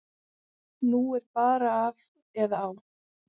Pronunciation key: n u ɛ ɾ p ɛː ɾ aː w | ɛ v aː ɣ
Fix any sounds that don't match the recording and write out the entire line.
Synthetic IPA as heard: n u ɛ ɾ p aː ɾ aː v | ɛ ð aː w